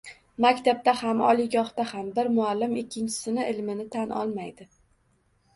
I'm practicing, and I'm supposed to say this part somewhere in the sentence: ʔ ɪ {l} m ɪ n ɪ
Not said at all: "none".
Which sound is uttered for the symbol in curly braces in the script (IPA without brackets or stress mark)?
l